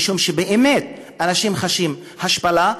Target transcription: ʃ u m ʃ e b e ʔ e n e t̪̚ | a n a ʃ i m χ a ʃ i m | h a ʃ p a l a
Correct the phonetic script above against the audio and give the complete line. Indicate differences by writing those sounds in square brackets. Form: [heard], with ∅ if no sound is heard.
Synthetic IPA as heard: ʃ u m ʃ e b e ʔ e [m] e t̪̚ | a n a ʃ i m χ a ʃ i m | h a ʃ p a l a